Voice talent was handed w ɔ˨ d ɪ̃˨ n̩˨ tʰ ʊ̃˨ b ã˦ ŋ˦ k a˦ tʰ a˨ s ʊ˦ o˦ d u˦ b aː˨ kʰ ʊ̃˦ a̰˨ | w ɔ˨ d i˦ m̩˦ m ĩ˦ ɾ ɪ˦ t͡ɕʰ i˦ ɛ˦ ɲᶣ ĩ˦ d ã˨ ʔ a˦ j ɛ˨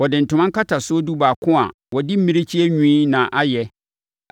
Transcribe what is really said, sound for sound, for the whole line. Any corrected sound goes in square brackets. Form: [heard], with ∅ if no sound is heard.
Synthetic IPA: w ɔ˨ d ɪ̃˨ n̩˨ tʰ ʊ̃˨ [m] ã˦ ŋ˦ k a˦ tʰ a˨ s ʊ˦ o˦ d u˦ b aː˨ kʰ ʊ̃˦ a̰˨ | w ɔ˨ d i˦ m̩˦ m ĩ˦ ɾ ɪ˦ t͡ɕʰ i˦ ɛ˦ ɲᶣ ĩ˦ [n] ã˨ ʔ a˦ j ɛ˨